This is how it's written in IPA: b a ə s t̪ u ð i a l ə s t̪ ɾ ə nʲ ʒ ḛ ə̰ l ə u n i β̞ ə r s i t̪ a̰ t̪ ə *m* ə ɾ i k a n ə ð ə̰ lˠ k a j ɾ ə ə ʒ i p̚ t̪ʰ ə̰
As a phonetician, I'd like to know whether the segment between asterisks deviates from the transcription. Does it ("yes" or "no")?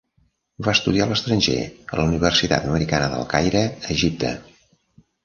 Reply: no